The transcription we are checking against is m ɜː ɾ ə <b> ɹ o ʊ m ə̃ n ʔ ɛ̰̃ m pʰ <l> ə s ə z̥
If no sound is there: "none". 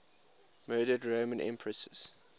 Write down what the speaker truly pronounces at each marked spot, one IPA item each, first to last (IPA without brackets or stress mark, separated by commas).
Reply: d, ɹ